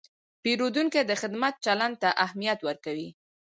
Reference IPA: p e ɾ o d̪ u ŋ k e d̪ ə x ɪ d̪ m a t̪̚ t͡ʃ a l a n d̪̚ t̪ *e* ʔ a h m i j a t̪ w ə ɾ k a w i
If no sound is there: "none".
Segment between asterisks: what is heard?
a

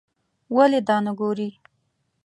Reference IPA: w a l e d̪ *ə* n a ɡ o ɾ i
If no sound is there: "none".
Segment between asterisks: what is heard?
ɑ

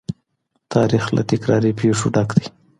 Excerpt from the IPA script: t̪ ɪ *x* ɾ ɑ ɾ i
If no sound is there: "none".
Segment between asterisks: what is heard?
k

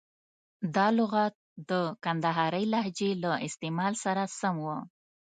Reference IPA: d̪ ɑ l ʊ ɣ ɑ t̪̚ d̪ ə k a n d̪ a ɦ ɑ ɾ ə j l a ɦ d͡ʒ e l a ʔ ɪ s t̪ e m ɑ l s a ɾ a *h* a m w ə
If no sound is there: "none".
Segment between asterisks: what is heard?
s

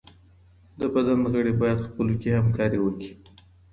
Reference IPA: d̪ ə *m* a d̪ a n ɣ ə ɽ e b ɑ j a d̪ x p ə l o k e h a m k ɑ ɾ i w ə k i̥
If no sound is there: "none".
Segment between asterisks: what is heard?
b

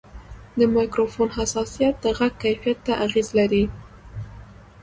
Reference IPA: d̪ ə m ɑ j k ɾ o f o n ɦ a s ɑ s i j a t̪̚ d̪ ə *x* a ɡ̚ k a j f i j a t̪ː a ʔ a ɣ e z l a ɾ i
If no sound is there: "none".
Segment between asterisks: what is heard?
ɣ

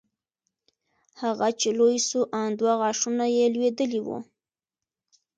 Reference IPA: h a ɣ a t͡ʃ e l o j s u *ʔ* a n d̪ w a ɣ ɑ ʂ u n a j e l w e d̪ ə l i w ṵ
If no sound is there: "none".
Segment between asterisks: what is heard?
ʔ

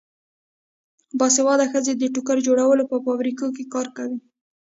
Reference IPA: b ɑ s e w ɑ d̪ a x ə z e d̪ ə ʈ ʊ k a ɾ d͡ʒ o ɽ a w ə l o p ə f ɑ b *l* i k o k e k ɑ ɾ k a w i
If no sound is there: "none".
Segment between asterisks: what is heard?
ɾ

